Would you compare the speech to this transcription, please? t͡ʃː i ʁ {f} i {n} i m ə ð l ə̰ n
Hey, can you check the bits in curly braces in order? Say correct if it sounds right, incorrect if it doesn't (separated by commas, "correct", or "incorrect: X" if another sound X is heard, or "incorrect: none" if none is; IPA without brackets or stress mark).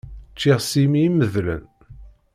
incorrect: s, incorrect: m